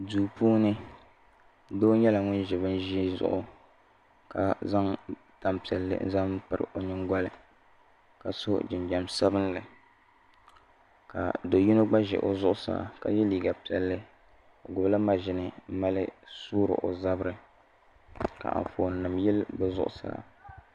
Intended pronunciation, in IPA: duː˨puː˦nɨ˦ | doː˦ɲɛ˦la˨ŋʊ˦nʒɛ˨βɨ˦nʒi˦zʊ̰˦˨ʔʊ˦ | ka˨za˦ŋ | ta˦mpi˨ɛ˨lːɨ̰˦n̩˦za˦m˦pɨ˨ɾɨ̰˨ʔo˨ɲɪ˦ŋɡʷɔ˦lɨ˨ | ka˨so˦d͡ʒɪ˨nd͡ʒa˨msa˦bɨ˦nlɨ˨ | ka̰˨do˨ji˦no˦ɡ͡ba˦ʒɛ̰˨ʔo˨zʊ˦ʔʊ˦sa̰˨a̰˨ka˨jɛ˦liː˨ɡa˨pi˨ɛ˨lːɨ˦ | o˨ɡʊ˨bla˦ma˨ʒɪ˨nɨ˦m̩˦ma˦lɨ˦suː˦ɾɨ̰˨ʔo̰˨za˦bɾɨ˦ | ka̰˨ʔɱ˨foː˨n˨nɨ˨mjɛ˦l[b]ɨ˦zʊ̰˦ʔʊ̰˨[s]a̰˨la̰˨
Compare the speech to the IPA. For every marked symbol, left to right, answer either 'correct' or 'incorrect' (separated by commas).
correct, correct